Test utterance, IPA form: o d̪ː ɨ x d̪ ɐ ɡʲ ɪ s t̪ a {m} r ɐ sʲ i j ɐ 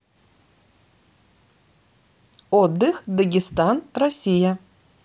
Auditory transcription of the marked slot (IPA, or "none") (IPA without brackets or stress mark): n